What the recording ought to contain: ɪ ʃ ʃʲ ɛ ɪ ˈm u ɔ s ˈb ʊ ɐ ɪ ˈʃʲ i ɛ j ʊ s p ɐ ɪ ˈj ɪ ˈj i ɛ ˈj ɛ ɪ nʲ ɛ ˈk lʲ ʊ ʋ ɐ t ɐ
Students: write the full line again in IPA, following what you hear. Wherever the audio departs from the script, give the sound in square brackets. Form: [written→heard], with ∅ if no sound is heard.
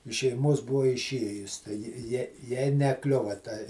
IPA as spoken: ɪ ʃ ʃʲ ɛ ɪ ˈm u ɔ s ˈb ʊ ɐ ɪ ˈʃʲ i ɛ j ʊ s [p→t] ɐ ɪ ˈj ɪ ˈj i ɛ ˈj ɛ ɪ nʲ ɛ ˈk lʲ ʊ ʋ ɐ t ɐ